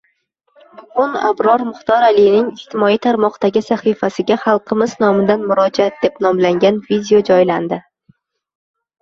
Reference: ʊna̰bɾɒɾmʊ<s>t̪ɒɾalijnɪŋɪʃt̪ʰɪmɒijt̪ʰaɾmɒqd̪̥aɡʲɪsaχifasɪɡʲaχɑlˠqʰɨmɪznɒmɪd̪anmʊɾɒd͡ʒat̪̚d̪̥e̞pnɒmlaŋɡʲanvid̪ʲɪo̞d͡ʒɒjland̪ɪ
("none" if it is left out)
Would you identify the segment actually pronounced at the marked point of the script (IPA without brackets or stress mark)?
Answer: χ